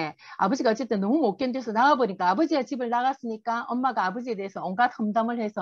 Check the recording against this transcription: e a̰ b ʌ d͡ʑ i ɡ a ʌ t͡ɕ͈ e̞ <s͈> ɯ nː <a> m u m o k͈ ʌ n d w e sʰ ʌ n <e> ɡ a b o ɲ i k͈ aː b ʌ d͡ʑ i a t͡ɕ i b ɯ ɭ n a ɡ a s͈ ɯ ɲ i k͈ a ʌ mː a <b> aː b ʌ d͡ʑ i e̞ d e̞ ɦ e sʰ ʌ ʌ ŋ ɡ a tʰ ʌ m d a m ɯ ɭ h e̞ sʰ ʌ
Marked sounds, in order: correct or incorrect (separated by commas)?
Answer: incorrect, incorrect, incorrect, incorrect